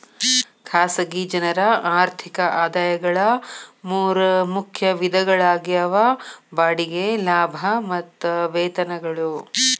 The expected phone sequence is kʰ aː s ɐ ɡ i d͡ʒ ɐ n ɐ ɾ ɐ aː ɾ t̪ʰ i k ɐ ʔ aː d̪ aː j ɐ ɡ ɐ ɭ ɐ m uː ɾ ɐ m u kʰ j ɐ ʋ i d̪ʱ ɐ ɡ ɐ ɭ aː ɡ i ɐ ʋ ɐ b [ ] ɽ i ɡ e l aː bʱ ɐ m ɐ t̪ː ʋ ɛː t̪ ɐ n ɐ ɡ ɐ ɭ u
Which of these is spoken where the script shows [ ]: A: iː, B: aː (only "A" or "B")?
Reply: B